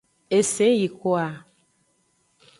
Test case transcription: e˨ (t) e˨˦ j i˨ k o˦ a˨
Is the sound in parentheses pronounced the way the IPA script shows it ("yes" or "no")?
no